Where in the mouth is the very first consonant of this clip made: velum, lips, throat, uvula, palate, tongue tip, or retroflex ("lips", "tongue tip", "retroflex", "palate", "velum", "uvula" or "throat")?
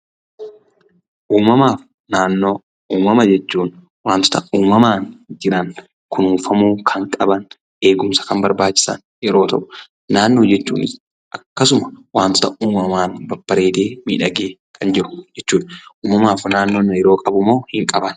throat